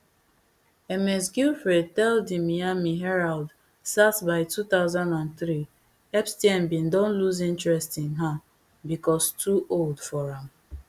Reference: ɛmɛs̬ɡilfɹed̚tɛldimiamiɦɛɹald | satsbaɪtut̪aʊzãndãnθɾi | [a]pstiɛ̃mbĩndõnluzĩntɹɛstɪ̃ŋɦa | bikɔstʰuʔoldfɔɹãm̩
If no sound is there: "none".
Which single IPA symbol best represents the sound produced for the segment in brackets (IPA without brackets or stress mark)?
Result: ɛ